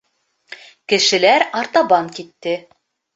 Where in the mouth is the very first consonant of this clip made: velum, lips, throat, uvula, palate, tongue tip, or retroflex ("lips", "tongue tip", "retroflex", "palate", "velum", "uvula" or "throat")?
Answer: velum